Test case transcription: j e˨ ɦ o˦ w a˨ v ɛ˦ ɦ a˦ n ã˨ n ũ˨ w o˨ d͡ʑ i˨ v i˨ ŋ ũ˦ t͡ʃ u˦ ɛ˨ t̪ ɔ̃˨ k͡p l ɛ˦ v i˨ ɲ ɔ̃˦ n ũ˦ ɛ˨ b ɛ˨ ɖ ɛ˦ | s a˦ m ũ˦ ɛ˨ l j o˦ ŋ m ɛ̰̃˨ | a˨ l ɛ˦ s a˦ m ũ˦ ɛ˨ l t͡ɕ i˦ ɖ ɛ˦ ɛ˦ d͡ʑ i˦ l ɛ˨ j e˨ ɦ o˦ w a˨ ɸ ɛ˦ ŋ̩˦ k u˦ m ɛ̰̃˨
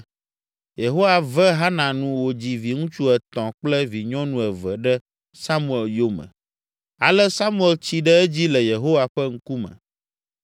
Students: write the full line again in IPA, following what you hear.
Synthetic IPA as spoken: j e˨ ɦ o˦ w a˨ v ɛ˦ ɦ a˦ n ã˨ n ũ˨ w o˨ d͡ʑ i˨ v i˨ ŋ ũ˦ t͡ʃ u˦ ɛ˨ t̪ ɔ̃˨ k͡p l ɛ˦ v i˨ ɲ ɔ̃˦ n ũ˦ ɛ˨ v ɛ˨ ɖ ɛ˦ | s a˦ m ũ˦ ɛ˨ l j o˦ m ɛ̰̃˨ | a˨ l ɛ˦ s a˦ m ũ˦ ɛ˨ l t͡ɕ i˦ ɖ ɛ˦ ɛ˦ d͡ʑ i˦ l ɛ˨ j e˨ ɦ o˦ w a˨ ɸ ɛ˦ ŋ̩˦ k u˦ m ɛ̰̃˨